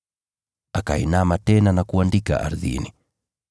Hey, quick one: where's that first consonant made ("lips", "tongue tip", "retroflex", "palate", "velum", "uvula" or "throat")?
velum